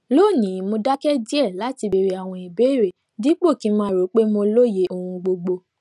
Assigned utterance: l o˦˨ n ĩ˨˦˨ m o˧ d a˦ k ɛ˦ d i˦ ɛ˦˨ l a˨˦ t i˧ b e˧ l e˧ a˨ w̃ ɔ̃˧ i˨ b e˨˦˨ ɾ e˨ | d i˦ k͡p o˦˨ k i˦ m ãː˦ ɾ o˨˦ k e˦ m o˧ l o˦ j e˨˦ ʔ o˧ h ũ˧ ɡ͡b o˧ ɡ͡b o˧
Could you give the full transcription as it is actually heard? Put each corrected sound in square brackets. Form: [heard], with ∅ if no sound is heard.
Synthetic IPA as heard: l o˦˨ n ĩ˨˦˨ m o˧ d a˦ k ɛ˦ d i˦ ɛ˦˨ l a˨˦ t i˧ b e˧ [ɾ] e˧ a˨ w̃ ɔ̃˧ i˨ b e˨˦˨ ɾ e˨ | d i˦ k͡p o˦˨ k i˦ m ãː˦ ɾ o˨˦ [k͡p] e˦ m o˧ l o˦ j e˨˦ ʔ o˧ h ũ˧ ɡ͡b o˧ ɡ͡b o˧